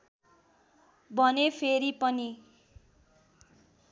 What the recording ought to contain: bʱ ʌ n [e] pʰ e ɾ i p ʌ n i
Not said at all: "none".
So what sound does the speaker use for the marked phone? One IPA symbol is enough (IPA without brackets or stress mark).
e